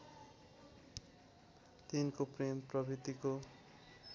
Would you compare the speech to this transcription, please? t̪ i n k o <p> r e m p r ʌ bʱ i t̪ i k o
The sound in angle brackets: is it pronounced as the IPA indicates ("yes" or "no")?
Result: yes